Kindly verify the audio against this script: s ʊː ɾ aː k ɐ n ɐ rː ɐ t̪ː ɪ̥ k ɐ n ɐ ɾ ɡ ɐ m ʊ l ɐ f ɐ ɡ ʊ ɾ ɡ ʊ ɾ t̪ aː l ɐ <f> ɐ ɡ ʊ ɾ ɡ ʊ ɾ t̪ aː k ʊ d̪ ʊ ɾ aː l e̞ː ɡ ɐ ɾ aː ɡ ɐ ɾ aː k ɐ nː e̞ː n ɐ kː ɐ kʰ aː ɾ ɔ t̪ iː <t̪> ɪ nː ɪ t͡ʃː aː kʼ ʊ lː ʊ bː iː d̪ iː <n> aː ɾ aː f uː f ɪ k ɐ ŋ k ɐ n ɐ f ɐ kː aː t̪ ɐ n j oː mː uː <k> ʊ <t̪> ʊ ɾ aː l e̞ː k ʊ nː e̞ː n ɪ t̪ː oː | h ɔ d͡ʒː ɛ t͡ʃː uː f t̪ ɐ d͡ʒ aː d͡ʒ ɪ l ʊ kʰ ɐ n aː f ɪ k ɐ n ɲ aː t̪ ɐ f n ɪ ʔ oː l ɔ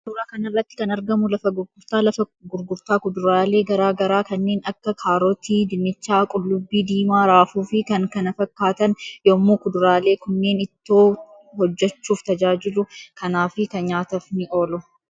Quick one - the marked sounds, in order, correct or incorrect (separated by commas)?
correct, incorrect, incorrect, correct, incorrect